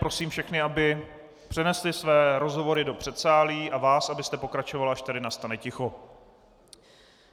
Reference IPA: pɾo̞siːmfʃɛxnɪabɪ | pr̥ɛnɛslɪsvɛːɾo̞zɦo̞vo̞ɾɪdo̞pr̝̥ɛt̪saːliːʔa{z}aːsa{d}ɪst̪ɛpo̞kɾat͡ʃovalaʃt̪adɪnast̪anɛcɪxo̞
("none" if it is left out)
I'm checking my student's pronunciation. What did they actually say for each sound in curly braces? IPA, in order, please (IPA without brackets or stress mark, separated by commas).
v, b